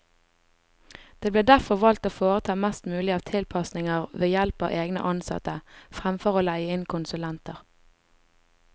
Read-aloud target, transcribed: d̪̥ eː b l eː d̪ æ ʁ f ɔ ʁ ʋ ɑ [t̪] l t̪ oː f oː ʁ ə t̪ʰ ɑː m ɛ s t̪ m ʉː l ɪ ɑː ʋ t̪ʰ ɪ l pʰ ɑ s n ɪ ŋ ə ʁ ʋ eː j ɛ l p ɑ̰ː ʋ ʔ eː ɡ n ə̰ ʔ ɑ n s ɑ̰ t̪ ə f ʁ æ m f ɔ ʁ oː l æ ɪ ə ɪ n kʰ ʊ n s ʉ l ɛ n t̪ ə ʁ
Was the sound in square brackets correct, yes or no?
no